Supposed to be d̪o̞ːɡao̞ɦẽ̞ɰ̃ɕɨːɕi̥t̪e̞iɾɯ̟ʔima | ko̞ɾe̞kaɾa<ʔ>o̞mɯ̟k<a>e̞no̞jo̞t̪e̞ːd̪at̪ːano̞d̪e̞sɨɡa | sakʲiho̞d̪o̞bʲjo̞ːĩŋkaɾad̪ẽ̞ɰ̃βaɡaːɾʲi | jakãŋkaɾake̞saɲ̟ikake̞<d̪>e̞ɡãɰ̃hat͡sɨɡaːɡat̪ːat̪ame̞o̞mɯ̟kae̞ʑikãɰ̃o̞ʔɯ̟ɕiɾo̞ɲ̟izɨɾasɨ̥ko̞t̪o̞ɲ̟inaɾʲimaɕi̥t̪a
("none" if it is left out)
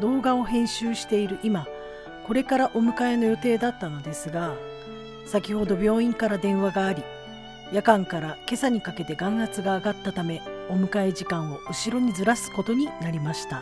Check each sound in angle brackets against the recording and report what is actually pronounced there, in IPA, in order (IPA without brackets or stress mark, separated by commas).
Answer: ʔ, a, t̪